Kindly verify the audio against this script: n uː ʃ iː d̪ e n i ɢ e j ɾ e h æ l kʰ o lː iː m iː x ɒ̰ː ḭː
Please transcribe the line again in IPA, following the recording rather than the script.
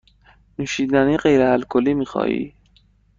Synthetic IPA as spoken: n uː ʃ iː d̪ æ n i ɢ e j ɾ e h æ l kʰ o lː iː m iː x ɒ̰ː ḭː

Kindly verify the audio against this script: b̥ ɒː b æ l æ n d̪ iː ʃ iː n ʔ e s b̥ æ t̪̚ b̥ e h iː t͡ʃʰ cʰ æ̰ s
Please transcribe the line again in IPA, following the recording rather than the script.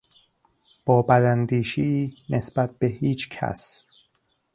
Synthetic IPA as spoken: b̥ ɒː b æ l æ n d̪ iː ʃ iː n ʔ e s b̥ æ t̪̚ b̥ e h iː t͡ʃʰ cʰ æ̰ s

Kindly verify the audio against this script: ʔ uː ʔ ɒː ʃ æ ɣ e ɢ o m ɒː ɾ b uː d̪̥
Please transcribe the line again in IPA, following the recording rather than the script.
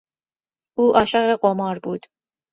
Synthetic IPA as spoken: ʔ uː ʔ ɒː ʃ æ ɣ e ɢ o m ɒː ɾ b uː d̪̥

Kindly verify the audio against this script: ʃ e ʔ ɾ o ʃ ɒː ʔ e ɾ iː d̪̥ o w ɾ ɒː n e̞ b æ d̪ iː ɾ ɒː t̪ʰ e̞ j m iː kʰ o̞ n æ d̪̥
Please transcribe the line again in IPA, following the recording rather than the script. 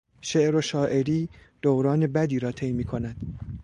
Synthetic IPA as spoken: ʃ e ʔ ɾ o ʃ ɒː ʔ e ɾ iː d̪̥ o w ɾ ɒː n e̞ b æ d̪ iː ɾ ɒː t̪ʰ e̞ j m iː kʰ o̞ n æ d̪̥

